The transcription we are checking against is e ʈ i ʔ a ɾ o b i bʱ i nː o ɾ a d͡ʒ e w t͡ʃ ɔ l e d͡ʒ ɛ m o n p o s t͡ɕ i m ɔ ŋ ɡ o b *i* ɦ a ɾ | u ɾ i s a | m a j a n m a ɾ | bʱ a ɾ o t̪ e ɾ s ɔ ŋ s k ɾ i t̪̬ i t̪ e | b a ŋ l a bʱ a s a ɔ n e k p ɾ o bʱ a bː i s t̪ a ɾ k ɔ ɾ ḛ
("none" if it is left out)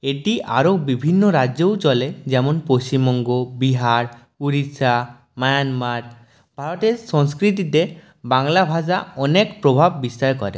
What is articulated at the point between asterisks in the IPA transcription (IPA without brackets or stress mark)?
i